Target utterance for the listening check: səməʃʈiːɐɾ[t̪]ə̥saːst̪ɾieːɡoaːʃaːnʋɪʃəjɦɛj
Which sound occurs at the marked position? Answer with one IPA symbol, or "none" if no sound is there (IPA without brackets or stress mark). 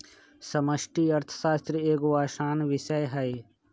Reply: t̪ʰ